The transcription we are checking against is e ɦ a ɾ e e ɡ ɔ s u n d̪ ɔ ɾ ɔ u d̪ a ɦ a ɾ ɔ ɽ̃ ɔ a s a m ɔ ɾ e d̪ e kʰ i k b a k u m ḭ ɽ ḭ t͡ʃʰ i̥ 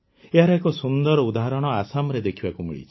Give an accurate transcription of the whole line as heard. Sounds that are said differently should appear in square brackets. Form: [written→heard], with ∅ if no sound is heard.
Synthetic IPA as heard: e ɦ a ɾ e e [ɡ→k] ɔ s u n d̪ ɔ ɾ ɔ u d̪ a ɦ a ɾ ɔ ɽ̃ ɔ a s a m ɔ ɾ e d̪ e kʰ i [k→∅] b a k u m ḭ [ɽ→ɭ] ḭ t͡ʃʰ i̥